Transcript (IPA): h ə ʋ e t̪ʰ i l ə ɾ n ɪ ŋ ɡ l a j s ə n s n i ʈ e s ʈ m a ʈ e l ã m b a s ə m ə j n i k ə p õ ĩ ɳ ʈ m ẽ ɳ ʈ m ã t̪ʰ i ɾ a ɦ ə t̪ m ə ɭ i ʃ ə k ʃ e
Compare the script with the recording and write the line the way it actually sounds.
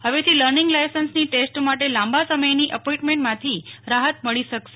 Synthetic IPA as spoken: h ə ʋ e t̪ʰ i l ə ɾ n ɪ ŋ ɡ l a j s ə n s n i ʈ e s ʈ m a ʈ e l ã m b a s ə m ə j n i ʔ ə p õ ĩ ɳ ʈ m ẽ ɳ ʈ m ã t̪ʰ i ɾ a ɦ ə t̪ m ə ɭ i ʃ ə k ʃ e